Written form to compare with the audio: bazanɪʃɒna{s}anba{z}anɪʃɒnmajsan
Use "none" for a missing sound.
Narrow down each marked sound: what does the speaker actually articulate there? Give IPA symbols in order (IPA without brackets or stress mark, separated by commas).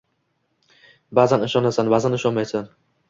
s, z